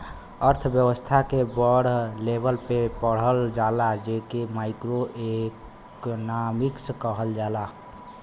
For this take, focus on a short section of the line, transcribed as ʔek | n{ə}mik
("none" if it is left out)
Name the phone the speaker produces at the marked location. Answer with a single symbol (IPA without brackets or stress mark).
a